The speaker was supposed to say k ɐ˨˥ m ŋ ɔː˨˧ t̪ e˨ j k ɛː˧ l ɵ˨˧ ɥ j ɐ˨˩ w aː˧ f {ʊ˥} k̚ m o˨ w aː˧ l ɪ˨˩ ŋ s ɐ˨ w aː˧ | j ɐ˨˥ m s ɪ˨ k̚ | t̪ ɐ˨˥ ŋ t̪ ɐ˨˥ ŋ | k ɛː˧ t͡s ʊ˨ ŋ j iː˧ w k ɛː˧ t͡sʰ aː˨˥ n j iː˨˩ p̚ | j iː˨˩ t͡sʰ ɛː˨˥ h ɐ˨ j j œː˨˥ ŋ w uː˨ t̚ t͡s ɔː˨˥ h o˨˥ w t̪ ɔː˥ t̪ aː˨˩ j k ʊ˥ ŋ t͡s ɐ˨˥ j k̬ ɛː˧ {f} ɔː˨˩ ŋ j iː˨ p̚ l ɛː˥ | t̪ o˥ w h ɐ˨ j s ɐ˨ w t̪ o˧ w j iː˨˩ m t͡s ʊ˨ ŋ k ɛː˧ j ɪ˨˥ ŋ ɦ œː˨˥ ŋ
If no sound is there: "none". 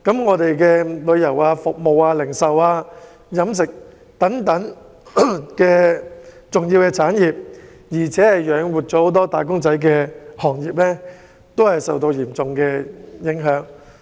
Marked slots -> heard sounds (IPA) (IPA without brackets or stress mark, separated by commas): ʊ˨, h